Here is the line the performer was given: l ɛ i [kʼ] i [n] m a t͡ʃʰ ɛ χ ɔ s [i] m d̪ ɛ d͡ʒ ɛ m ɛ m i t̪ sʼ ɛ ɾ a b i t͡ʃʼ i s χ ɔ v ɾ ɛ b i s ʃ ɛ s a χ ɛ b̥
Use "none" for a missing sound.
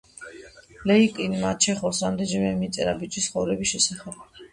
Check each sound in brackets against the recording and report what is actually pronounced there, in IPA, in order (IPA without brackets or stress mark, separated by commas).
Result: kʼ, n, a